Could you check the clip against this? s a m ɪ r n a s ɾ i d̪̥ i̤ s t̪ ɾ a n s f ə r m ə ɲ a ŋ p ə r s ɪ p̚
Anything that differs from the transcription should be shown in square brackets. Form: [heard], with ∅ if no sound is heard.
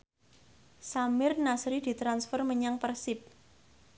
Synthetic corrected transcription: s a m ɪ r n a s ɾ i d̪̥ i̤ [∅] t̪ ɾ a n s f ə r m ə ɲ a ŋ p ə r s ɪ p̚

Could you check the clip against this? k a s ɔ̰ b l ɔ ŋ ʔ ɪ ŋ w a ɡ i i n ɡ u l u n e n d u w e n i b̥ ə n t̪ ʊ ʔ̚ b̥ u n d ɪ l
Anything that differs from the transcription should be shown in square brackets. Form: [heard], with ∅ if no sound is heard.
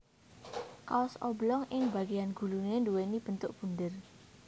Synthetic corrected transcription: k a s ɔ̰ b l ɔ ŋ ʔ ɪ ŋ [b] a ɡ i [a] n ɡ u l u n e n d u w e n i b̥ ə n t̪ ʊ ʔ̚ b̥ u n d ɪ [r]

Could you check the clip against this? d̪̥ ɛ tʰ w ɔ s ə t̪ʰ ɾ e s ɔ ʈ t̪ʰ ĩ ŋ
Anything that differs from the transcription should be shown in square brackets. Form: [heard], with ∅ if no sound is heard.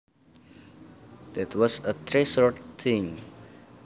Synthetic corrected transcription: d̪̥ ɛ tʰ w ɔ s ə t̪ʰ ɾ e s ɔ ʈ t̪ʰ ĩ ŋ

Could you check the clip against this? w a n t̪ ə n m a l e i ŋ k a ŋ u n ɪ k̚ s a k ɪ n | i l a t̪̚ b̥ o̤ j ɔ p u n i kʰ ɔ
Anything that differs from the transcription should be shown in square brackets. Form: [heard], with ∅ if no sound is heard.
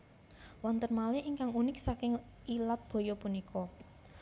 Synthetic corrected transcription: w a n t̪ ə n m a l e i ŋ k a ŋ u n ɪ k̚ s a k ɪ [ŋ] | i l a t̪̚ b̥ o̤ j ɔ p u n i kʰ ɔ

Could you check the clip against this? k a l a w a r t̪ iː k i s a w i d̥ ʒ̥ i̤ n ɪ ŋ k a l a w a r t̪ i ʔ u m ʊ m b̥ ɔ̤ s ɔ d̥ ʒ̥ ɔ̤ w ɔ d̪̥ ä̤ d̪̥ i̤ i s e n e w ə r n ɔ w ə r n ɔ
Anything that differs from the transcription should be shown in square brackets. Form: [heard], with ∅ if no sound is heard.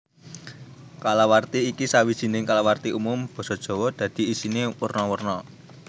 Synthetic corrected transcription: k a l a w a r t̪ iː k i s a w i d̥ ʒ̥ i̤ n ɪ ŋ k a l a w a r t̪ i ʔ u m ʊ m b̥ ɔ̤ s ɔ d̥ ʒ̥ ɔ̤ w ɔ d̪̥ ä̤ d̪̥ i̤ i s [i] n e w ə r n ɔ w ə r n ɔ

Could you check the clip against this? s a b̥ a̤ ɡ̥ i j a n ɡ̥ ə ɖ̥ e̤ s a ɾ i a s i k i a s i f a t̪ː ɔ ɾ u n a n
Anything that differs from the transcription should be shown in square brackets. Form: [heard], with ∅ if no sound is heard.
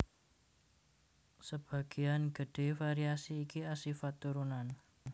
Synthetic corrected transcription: s [ə] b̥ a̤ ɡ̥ i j a n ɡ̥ ə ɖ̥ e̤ [f] a ɾ i a s [iː] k i a s i f a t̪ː [u] ɾ u n a n

